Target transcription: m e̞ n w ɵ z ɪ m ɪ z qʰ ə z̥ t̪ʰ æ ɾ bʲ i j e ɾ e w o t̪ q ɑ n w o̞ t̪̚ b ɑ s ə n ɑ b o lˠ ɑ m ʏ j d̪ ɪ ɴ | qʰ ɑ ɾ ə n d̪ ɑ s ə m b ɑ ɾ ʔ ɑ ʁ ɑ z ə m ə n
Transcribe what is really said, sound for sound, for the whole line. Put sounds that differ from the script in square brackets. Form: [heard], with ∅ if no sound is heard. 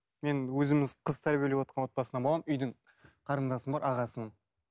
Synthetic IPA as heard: m e̞ n w ɵ z ɪ m ɪ z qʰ ə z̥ t̪ʰ æ ɾ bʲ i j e [l] e w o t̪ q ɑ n w o̞ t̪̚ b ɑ s ə n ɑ b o lˠ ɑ m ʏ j d̪ ɪ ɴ | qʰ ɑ ɾ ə n d̪ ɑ s ə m b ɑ ɾ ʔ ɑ ʁ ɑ [s] ə m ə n